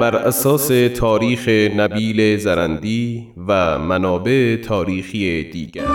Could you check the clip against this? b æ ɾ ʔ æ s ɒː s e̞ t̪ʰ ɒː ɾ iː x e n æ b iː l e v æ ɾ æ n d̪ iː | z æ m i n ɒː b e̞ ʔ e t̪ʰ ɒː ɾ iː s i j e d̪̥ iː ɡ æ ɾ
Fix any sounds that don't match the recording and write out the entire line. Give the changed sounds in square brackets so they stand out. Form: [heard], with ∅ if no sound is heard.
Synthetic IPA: b æ ɾ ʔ æ s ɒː s e̞ t̪ʰ ɒː ɾ iː x e n æ b iː l e [z] æ ɾ æ n d̪ iː | [v] æ m [æ] n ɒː b e̞ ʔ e t̪ʰ ɒː ɾ iː [x] i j e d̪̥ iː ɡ æ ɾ